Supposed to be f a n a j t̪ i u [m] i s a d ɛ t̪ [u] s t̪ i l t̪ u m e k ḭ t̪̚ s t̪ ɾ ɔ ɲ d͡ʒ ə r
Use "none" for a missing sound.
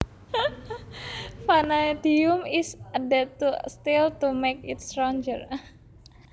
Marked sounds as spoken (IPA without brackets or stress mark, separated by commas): m, u